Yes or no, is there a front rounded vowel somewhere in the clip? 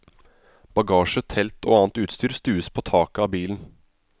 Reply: yes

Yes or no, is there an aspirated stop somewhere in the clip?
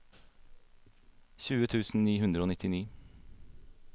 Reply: yes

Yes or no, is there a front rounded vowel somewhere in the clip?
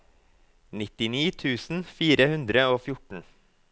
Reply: no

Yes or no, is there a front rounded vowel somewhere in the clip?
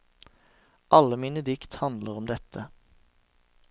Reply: no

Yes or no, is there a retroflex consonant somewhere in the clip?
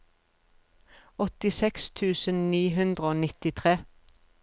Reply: no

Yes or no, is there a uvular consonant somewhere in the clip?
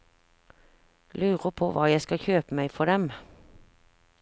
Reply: yes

